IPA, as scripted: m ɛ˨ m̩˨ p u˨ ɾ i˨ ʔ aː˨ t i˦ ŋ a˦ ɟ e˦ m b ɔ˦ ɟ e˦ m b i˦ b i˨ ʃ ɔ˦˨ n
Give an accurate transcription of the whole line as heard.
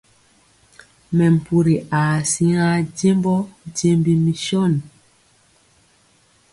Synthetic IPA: m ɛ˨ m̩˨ p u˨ ɾ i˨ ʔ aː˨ s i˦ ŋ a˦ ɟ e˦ m b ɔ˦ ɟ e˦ m b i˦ m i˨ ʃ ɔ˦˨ n